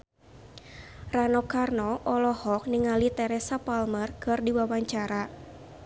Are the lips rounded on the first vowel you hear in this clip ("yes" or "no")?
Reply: no